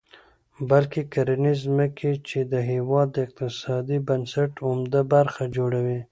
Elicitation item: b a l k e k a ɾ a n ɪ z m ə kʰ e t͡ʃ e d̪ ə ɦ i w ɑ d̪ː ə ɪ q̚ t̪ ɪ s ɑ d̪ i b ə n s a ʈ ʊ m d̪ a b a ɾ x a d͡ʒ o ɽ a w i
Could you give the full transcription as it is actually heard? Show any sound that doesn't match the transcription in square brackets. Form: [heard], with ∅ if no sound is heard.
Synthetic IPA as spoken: b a l k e k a ɾ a n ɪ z m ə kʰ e t͡ʃ e d̪ ə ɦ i w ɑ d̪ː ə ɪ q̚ t̪ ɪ s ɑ d̪ i b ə n s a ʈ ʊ m d̪ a b a ɾ x a d͡ʒ o ɽ a w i